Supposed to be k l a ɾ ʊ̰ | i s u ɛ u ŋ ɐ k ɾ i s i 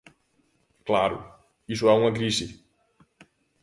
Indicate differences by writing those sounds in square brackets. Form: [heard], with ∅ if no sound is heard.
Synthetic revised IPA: k l a ɾ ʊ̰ | i s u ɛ u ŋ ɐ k ɾ i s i